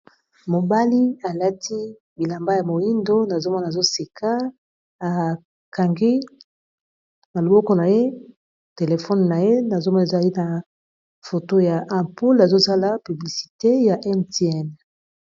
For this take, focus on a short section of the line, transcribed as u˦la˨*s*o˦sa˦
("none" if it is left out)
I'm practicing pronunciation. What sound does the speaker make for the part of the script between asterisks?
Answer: z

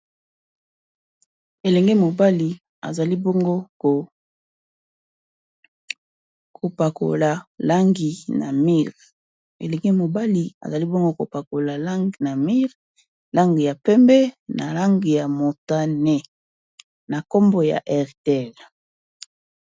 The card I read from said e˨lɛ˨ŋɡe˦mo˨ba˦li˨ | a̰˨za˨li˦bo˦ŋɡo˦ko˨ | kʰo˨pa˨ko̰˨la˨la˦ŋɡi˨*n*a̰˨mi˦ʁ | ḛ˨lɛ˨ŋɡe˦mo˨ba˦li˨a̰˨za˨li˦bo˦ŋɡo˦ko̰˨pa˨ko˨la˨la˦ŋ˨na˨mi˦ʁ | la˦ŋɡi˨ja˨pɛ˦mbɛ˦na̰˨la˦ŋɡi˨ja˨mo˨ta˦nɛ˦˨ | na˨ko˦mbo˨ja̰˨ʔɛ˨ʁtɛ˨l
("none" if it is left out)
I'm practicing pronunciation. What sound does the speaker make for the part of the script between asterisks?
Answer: n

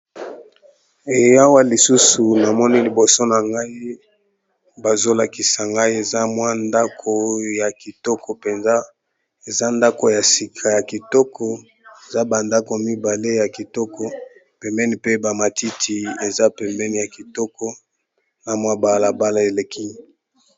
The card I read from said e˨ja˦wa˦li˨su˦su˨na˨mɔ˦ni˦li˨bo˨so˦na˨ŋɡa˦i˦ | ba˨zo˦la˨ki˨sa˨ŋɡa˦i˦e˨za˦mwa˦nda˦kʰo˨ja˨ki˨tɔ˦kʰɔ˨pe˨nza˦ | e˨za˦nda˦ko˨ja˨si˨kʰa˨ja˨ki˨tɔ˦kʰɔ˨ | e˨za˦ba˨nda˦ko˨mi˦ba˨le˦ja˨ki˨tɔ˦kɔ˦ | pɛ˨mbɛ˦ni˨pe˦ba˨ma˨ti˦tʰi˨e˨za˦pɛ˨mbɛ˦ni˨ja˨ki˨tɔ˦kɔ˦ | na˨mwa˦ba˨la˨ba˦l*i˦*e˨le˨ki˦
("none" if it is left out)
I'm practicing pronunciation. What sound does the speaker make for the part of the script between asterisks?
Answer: a˦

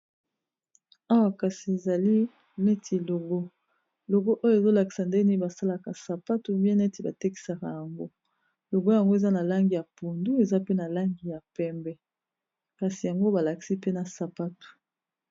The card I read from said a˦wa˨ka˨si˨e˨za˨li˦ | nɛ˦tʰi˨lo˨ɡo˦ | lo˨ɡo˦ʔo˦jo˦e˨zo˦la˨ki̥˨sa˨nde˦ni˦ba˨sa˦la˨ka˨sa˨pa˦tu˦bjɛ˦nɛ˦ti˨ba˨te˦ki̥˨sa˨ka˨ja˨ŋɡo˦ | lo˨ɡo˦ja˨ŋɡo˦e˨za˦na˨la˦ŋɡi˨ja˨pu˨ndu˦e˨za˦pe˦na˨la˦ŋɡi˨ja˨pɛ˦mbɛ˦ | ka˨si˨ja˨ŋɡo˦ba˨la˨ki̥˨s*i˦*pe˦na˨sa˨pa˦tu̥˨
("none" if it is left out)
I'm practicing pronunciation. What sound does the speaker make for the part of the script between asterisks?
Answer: i˦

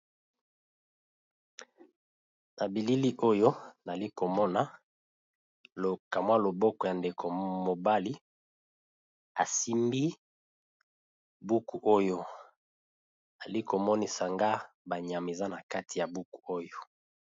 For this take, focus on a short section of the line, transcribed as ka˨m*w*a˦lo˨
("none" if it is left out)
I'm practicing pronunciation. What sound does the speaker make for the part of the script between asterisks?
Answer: w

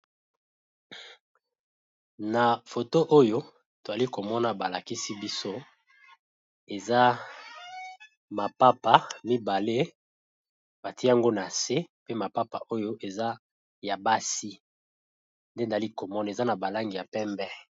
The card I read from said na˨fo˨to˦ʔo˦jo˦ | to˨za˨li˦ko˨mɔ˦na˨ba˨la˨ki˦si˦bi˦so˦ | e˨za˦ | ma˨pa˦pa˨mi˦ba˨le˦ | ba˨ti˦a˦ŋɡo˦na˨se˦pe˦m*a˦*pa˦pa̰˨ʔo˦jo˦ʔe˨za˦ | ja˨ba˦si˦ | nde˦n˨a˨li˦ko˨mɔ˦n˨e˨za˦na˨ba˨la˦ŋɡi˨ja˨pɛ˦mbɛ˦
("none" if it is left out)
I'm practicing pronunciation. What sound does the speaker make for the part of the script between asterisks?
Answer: a˨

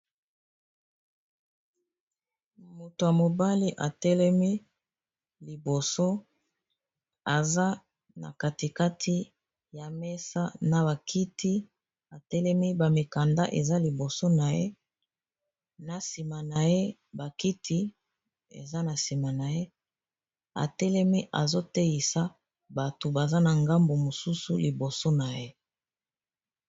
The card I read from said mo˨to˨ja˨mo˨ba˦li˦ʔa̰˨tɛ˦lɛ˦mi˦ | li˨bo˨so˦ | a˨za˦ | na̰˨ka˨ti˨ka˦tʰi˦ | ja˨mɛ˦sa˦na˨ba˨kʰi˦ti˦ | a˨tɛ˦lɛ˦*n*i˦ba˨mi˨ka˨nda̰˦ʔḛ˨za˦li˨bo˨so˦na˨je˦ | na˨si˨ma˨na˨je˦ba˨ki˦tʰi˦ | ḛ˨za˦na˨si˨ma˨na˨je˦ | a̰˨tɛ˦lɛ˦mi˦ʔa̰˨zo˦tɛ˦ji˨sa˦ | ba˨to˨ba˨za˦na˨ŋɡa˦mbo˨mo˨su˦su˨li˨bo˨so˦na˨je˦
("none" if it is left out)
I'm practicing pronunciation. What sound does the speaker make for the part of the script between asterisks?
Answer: m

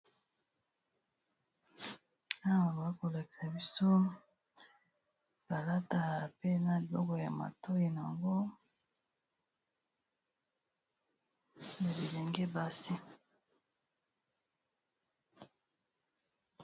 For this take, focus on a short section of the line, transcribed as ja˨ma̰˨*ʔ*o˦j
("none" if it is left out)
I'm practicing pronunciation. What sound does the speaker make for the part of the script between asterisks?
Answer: t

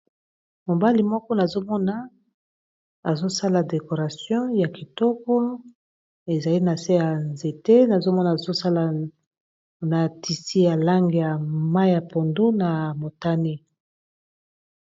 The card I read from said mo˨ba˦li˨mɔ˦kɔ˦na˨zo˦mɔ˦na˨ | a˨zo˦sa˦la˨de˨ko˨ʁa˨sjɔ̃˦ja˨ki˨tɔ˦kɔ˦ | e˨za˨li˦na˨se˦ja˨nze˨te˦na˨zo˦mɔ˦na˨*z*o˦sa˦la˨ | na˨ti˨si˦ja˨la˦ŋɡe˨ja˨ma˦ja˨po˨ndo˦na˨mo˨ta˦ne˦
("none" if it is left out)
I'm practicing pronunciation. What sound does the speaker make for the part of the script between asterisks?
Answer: z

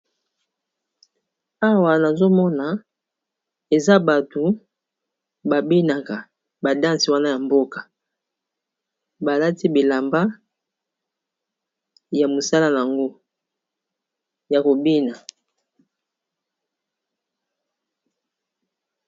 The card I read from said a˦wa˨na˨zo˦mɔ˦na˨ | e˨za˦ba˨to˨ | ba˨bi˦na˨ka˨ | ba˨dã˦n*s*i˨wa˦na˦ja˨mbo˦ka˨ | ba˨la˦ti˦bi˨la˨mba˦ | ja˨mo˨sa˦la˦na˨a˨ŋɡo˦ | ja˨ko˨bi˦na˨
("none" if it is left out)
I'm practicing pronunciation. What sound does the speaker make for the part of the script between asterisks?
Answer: s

